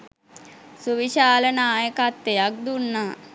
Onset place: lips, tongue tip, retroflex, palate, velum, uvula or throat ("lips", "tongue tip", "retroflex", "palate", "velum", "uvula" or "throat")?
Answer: tongue tip